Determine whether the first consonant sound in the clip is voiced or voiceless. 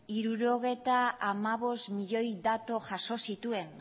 voiced